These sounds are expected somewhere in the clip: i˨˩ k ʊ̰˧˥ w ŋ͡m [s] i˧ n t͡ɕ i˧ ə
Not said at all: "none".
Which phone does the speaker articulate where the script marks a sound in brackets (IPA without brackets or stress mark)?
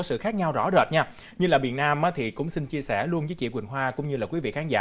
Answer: s